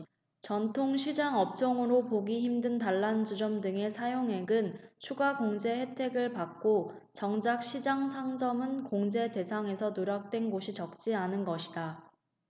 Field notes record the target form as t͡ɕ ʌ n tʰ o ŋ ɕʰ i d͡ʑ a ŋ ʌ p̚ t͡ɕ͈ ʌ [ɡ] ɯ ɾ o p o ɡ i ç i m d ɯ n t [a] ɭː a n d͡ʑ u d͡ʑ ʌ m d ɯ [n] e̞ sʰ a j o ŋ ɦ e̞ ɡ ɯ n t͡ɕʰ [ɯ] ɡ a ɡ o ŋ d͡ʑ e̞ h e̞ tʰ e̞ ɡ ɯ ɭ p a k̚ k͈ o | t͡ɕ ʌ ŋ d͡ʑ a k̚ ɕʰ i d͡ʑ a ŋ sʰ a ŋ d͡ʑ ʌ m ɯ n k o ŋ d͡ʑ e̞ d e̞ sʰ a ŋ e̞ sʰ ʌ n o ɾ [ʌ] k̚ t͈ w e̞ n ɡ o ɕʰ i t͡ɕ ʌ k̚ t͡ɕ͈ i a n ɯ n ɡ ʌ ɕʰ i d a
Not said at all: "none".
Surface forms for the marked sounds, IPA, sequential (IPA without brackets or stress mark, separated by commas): ŋ, a, ŋ, u, a